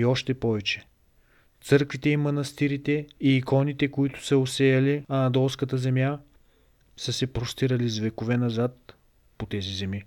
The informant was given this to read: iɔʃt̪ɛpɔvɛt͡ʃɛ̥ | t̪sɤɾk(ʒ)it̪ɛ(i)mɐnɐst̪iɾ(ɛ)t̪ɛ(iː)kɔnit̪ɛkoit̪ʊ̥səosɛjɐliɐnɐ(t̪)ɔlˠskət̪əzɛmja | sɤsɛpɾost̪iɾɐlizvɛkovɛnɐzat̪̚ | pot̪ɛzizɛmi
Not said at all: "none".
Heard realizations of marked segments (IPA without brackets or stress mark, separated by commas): v, i, i, iː, d̪